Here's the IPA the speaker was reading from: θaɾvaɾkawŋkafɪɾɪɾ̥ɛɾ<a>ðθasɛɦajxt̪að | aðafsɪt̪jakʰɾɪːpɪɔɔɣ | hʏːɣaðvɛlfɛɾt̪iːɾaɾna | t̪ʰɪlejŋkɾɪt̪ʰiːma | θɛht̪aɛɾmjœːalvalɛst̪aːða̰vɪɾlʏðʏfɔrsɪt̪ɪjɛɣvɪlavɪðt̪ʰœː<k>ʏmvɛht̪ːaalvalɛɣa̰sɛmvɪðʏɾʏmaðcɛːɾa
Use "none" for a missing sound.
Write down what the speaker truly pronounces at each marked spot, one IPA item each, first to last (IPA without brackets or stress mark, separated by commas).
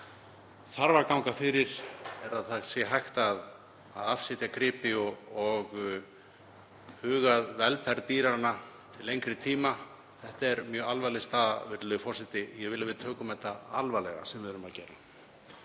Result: a, k